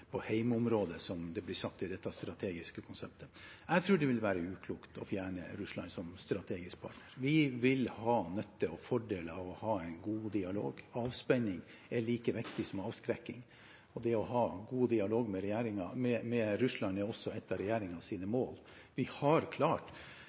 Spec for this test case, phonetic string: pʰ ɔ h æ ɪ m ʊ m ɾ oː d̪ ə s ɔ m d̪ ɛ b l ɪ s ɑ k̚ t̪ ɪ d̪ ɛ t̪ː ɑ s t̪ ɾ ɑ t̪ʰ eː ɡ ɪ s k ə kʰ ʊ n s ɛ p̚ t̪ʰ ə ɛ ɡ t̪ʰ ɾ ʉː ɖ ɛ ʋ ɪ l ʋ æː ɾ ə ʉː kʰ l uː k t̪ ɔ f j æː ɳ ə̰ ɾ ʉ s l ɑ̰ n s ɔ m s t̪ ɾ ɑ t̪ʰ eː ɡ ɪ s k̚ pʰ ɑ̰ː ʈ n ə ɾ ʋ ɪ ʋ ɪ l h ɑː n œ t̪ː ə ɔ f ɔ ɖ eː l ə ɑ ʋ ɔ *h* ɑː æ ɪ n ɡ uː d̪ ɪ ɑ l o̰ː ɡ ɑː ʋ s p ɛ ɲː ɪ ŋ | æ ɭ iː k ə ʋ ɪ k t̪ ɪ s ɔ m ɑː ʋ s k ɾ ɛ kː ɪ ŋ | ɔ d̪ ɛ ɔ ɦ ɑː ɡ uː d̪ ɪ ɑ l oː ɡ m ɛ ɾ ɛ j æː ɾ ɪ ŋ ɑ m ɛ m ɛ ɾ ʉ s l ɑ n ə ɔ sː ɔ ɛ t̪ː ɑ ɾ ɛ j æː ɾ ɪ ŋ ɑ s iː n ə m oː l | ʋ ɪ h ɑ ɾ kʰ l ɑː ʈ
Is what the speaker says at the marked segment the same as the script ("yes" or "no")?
yes